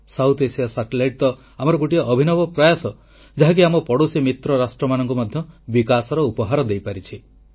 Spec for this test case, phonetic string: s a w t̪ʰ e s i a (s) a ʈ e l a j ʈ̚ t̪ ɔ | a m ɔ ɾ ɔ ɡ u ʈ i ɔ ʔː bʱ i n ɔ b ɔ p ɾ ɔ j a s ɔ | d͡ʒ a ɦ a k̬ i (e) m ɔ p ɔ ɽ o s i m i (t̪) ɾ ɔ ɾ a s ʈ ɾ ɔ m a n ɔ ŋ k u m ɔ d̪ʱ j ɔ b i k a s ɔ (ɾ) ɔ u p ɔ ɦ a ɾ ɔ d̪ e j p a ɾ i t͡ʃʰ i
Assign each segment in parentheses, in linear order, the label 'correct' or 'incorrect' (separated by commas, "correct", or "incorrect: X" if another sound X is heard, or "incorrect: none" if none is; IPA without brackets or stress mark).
correct, incorrect: a, correct, correct